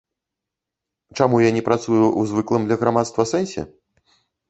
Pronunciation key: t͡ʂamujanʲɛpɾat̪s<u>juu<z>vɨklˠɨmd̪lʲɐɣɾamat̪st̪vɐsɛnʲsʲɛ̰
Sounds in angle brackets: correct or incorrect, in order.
correct, correct

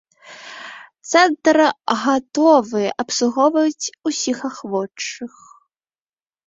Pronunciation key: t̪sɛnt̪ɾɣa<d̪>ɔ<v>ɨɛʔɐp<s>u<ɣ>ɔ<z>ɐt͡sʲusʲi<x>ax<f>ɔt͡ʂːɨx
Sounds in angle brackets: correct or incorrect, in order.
incorrect: t̪, correct, correct, correct, incorrect: v, correct, incorrect: v

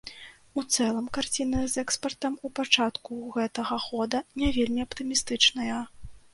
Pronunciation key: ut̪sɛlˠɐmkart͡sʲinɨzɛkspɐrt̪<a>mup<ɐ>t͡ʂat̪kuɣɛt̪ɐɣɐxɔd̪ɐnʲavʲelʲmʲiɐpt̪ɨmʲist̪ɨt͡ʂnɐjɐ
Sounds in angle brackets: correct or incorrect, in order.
incorrect: ɐ, incorrect: a

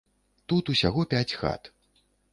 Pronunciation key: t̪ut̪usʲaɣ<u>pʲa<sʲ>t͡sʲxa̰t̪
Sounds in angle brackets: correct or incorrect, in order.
incorrect: ɔ, incorrect: none

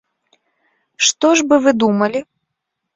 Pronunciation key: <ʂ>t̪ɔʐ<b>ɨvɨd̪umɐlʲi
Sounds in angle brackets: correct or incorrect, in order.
correct, correct

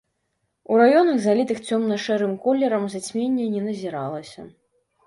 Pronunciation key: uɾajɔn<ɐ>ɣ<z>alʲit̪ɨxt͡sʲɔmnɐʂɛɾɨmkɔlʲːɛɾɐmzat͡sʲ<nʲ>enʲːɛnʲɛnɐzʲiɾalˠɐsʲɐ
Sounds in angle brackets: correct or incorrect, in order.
correct, correct, incorrect: mʲ

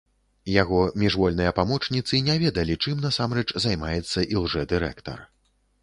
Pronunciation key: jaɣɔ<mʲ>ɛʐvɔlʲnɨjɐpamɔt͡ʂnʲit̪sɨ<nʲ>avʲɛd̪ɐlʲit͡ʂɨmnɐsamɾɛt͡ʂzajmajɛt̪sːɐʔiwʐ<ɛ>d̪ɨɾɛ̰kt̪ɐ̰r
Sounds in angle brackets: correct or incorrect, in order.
correct, correct, correct

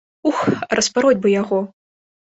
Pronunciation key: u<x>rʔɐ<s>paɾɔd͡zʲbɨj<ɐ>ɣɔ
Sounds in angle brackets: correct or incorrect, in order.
correct, correct, incorrect: a

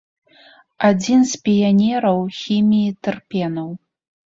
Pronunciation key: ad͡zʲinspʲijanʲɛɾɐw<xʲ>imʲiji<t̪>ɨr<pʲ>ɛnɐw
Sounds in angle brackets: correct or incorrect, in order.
correct, correct, correct

